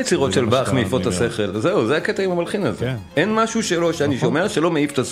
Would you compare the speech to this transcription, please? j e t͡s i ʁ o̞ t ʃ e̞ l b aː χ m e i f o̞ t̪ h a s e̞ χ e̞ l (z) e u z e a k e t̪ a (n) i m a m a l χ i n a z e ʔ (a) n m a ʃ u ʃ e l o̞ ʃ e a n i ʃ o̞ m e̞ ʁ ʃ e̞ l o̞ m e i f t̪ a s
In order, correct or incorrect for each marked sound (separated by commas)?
correct, incorrect, incorrect